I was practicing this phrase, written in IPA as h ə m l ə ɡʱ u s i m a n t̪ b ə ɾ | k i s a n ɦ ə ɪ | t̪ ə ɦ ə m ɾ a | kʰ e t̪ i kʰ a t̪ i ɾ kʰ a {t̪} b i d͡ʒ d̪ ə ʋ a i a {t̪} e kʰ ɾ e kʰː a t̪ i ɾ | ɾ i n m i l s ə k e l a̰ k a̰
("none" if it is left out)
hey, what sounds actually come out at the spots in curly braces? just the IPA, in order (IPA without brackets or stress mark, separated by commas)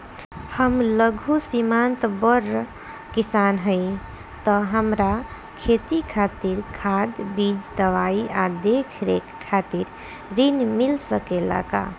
d̪, d̪